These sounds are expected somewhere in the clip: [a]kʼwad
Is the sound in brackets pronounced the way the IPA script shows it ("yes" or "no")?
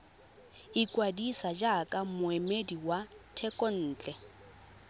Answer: no